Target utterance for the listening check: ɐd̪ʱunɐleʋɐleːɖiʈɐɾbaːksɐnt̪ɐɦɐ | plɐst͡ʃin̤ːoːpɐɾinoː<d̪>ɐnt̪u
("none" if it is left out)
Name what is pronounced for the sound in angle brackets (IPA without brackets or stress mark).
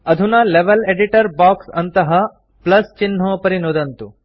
d̪